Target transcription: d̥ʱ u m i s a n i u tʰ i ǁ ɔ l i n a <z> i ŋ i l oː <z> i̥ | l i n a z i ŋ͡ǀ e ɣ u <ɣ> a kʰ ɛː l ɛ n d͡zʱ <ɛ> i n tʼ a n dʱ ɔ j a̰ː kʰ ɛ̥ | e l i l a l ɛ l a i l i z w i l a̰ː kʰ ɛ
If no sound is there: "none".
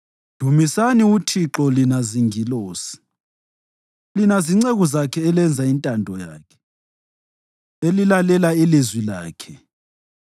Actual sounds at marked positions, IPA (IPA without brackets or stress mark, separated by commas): z, s, z, a